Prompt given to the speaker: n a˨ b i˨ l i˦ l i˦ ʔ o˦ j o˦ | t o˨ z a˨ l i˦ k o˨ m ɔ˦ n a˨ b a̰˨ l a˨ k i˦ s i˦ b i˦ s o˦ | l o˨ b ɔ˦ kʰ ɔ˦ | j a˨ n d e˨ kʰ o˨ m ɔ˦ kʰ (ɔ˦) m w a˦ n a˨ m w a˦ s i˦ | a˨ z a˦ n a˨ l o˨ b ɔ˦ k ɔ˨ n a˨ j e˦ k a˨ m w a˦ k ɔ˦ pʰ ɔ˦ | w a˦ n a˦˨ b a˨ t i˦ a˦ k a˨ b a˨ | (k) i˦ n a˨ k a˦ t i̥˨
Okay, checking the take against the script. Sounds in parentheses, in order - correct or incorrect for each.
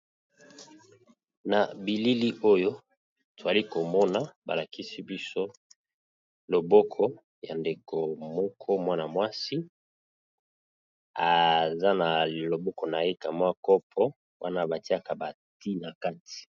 correct, incorrect: t

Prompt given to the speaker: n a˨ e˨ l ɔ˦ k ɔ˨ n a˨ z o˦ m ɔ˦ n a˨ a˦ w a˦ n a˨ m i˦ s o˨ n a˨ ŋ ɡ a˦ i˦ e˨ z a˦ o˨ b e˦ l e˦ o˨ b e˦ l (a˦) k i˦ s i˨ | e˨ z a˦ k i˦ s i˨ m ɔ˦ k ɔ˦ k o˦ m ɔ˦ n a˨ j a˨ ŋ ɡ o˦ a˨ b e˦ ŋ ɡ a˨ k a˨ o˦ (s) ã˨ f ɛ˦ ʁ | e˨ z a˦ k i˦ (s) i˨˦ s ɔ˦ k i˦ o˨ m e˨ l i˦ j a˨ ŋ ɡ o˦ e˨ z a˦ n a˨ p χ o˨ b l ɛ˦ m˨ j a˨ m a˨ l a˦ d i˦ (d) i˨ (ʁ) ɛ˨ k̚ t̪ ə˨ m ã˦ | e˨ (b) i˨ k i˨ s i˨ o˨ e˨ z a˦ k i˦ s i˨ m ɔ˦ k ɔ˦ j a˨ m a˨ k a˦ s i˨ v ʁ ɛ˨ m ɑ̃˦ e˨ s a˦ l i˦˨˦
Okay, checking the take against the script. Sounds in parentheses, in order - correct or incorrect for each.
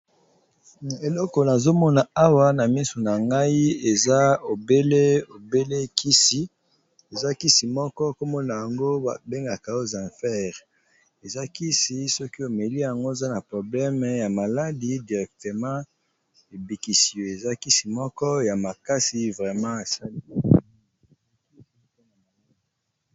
incorrect: e˦, incorrect: z, correct, correct, correct, correct

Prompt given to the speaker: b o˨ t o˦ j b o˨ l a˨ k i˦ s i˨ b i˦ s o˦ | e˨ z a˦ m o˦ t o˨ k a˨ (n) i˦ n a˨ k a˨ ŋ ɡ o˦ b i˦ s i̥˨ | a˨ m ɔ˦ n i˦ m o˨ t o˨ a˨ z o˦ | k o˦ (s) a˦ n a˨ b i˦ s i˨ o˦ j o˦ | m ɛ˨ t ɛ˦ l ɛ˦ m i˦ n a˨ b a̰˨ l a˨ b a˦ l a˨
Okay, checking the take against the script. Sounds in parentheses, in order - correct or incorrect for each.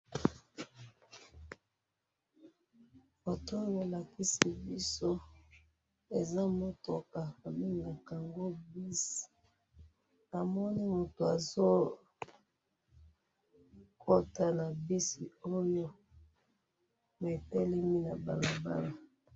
incorrect: m, incorrect: t

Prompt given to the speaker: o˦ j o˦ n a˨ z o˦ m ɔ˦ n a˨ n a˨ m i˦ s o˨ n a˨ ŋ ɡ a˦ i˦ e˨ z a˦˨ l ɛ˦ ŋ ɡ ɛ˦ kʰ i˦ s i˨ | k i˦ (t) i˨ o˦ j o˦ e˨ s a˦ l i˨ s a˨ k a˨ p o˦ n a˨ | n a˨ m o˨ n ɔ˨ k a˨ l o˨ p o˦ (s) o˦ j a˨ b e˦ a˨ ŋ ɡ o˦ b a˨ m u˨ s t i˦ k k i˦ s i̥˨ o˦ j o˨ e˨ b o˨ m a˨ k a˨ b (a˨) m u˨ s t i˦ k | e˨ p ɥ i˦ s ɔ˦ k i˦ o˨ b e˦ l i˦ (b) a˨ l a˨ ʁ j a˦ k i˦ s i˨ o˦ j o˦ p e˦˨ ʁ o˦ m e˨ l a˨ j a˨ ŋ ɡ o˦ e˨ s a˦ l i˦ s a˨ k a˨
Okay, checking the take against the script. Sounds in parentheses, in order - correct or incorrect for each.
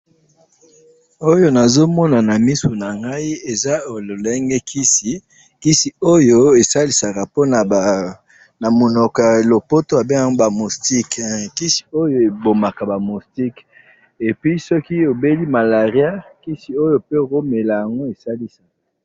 incorrect: s, incorrect: t, correct, incorrect: m

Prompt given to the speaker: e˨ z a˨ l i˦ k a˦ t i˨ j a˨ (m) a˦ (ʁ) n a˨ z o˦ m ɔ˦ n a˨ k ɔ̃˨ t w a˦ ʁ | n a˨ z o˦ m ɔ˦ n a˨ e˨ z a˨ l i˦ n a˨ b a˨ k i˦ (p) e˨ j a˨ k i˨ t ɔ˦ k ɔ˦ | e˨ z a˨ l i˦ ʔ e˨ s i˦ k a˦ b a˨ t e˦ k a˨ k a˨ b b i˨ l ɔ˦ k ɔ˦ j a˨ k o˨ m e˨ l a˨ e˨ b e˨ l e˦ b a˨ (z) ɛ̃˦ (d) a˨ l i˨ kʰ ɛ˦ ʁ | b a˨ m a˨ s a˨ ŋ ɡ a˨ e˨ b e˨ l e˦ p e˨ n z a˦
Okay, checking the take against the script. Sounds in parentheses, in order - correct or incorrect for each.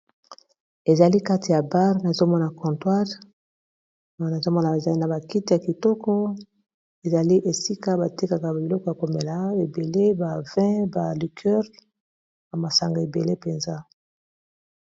incorrect: b, correct, incorrect: t, incorrect: v, incorrect: b

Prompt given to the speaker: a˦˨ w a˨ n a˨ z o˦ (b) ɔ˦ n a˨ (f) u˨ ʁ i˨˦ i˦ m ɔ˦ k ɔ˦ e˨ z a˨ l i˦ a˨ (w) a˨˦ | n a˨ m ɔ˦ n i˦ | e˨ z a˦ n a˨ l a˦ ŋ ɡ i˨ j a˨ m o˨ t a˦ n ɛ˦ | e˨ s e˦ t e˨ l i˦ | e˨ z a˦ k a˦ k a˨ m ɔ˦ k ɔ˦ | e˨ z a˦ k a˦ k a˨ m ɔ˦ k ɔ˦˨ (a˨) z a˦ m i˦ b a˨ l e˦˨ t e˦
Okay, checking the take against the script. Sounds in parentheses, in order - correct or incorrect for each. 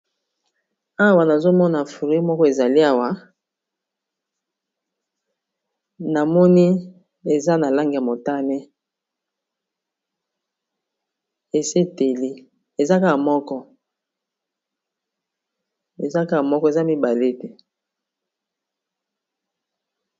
incorrect: m, correct, correct, incorrect: e˨

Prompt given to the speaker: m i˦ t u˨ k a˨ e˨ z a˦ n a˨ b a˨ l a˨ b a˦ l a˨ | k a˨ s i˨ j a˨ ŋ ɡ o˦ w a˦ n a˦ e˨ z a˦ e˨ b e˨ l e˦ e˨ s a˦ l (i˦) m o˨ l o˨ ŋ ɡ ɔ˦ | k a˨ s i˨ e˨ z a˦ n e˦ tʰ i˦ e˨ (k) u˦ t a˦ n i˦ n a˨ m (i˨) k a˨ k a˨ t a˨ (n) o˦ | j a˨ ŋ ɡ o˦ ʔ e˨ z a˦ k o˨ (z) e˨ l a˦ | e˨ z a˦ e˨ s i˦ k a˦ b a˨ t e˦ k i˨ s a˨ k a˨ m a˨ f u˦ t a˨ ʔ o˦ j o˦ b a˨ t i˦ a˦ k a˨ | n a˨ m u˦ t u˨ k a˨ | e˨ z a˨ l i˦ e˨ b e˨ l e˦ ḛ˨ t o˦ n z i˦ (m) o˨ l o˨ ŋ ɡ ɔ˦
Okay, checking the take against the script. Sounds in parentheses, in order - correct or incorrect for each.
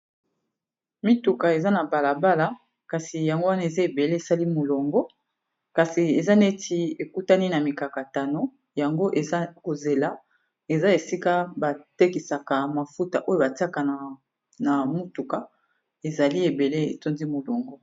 correct, correct, correct, correct, correct, correct

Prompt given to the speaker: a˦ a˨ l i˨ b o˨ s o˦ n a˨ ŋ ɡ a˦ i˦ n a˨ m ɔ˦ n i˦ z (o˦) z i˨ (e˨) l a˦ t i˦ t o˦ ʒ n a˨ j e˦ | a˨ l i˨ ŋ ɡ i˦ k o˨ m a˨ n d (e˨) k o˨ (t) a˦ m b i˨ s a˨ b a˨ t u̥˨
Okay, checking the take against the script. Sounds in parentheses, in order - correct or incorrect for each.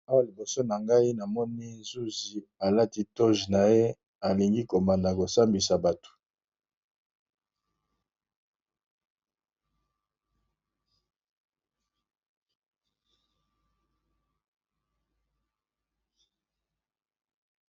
incorrect: u˦, incorrect: a˨, incorrect: a˨, incorrect: s

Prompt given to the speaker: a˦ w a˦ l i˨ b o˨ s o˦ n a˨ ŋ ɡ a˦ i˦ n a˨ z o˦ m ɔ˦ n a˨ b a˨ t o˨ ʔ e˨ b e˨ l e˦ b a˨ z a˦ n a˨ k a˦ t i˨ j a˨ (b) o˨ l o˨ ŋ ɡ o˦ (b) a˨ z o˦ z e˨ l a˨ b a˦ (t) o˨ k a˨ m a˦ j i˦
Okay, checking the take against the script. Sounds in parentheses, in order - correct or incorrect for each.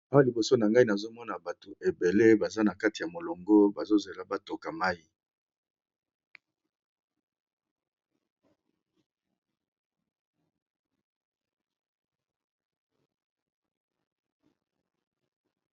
incorrect: m, correct, correct

